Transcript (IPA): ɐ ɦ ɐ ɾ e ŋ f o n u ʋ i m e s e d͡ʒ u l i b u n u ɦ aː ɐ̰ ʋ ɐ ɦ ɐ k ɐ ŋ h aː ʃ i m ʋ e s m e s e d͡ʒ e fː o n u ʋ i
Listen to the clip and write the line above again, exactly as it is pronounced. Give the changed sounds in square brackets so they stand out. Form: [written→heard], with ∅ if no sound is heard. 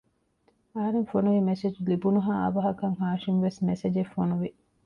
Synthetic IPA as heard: ɐ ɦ ɐ ɾ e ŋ f o n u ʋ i m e s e d͡ʒ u l i b u n u ɦ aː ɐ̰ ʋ ɐ ɦ ɐ k ɐ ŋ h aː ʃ i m ʋ e s m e s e d͡ʒ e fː o n u ʋ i